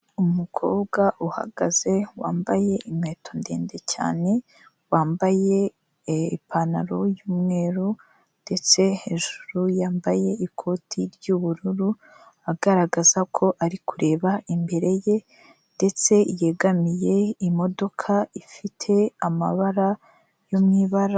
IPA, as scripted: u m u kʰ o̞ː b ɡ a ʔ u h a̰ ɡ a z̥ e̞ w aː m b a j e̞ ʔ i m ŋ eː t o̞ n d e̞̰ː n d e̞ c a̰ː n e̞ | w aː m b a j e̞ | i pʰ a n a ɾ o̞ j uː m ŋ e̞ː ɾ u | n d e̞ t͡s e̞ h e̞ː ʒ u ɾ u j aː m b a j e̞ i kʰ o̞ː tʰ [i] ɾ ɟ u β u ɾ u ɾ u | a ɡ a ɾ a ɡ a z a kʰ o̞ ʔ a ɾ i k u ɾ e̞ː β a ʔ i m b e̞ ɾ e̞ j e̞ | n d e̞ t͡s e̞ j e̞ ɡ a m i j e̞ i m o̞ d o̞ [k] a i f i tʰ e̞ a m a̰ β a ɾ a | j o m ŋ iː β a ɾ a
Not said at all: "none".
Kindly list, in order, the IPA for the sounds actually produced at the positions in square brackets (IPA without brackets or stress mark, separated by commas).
i, kʰ